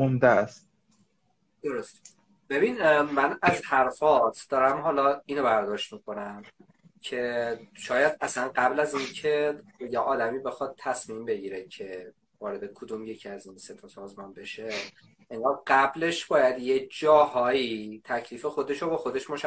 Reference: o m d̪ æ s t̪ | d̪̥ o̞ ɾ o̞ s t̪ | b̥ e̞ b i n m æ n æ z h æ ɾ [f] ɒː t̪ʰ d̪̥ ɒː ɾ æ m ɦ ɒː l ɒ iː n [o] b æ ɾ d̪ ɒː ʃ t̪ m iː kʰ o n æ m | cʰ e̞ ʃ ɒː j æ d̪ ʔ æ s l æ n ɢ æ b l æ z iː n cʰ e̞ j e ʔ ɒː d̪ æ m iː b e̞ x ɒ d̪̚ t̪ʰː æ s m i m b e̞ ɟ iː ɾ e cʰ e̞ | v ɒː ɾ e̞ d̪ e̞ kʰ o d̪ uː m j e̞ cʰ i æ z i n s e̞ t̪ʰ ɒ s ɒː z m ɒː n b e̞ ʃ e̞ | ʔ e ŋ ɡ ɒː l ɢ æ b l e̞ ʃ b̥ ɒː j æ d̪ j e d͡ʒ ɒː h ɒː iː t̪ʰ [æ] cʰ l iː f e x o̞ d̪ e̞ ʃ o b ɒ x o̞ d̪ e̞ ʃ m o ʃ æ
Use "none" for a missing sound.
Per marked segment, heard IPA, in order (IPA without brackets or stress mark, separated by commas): f, o, æ